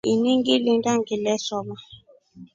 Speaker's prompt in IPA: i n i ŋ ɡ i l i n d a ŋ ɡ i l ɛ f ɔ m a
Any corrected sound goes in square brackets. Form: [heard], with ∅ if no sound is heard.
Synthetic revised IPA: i n i ŋ ɡ i l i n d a ŋ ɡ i l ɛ [s] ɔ m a